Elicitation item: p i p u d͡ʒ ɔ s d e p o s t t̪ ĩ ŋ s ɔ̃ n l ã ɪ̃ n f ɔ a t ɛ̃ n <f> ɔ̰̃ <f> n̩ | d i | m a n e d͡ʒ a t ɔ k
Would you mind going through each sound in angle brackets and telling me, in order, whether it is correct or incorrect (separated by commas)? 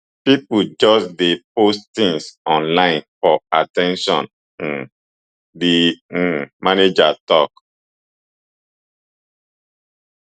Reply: incorrect, incorrect